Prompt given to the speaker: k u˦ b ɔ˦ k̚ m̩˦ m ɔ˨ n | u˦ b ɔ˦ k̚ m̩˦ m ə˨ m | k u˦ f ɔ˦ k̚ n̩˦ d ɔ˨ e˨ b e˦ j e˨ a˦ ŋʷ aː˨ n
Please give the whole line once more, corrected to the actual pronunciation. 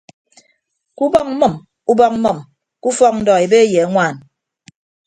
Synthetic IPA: k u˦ b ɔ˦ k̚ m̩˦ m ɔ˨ m | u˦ b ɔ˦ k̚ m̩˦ m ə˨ m | k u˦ f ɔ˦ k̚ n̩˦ d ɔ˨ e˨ b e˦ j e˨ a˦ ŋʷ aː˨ n